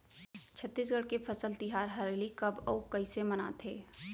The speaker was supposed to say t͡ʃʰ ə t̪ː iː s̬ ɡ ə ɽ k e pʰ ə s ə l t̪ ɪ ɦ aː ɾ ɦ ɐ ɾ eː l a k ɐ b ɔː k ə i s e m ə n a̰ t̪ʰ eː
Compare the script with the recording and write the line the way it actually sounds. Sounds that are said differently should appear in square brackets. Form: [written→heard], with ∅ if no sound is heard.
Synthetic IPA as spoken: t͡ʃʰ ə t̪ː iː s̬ ɡ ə ɽ k e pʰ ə s ə l t̪ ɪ ɦ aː ɾ ɦ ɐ ɾ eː l [a→i] k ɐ b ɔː k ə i s e m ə n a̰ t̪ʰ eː